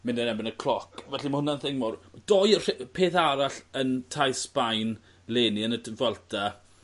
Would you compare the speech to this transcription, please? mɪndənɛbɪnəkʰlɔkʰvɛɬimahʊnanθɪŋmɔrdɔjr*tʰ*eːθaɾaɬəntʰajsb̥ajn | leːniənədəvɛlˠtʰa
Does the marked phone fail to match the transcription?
yes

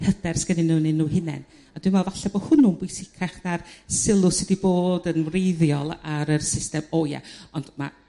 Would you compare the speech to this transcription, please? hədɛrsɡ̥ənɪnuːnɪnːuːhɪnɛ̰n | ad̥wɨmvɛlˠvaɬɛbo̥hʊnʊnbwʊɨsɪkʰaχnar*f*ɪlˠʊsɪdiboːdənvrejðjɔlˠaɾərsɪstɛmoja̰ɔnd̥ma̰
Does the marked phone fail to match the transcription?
yes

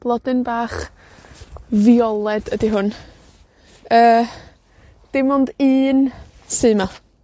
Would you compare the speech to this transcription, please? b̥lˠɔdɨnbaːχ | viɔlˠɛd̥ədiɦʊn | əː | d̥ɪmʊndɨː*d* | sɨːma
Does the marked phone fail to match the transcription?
yes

